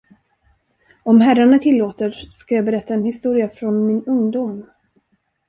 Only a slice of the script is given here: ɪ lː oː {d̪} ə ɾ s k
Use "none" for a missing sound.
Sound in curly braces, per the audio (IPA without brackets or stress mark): t̪